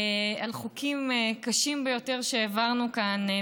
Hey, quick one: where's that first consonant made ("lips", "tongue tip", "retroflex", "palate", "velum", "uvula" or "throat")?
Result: tongue tip